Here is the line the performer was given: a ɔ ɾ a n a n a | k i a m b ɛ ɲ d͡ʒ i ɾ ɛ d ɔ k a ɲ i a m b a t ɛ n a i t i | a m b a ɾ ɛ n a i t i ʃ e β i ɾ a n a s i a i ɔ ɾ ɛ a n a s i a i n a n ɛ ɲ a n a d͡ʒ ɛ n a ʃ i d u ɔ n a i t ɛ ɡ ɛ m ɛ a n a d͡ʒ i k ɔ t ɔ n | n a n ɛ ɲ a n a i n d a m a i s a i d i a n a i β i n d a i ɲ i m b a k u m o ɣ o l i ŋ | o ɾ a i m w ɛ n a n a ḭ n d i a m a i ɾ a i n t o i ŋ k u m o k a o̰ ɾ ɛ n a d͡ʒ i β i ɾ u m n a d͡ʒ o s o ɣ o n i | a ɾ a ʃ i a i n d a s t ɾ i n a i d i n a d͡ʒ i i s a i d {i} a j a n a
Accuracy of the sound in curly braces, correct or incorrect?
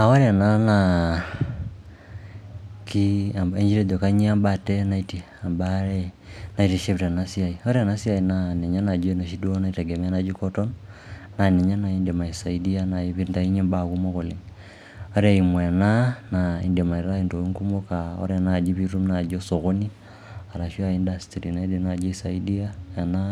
correct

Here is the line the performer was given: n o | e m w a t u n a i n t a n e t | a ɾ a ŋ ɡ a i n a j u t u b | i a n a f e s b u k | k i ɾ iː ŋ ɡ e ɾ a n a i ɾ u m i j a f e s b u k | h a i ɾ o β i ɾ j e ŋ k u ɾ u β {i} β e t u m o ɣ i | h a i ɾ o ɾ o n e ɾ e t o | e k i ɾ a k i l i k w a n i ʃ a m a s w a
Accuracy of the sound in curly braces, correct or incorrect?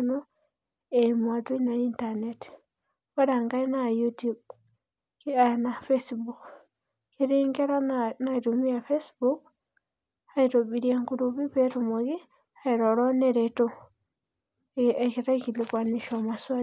correct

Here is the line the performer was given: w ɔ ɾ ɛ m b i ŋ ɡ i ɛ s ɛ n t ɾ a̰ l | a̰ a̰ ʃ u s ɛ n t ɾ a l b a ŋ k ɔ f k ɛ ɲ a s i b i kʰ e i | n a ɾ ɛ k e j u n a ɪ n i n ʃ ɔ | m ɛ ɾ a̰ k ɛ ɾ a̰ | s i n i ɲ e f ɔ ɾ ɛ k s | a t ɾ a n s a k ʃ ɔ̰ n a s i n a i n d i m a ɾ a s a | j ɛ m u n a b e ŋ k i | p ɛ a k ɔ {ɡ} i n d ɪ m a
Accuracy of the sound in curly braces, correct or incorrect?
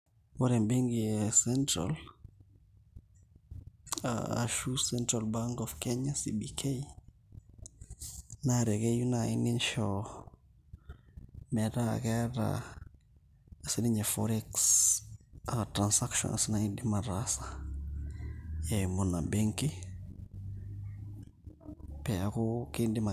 incorrect: k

